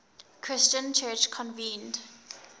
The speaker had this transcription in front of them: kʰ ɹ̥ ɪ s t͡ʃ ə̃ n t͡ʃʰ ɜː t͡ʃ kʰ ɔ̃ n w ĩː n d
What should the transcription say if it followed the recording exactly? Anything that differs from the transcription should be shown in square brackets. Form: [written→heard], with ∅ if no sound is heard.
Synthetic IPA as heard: kʰ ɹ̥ ɪ s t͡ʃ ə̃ n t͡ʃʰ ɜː t͡ʃ kʰ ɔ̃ n [w→v] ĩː n d